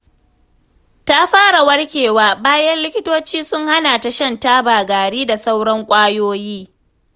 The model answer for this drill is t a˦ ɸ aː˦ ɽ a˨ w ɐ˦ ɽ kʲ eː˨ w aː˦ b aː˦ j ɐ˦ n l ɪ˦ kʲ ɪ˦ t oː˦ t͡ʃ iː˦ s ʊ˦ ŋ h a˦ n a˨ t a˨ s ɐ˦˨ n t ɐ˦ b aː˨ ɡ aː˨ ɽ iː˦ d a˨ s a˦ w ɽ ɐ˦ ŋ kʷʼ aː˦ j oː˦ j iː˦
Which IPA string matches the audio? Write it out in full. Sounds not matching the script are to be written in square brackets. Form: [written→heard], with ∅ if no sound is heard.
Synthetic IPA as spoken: t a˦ ɸ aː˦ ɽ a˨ w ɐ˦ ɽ kʲ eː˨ w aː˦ b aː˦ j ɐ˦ n l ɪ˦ kʲ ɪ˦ t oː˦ t͡ʃ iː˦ s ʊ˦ ŋ h a˦ n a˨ t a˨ [s→ʃ] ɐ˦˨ n t [ɐ˦→a˦] b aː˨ ɡ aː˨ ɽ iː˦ d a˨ s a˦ w ɽ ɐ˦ ŋ kʷʼ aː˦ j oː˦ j iː˦